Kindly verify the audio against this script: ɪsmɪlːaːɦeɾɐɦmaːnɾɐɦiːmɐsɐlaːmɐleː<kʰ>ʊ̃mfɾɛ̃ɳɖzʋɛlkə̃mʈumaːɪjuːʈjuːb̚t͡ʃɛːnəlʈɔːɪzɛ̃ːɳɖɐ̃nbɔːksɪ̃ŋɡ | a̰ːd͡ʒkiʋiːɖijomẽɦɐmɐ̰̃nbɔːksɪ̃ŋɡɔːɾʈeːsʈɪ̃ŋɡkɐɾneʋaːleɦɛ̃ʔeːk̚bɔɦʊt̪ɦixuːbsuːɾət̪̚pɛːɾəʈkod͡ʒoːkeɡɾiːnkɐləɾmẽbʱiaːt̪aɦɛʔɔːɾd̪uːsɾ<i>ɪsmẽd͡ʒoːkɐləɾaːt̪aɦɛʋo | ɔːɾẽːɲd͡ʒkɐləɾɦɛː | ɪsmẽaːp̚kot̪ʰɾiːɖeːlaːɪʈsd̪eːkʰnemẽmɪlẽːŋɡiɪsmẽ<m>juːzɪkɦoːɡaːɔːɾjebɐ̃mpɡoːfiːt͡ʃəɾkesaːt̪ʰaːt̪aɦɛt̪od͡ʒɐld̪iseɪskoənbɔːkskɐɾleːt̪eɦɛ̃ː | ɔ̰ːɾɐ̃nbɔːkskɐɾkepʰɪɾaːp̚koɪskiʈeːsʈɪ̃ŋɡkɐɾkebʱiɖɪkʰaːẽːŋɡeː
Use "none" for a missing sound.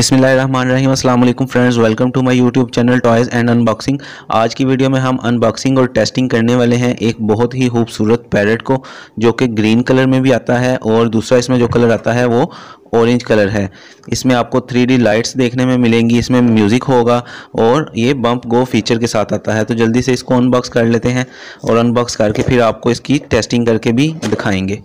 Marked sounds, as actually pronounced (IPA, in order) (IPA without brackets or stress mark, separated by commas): k, a, m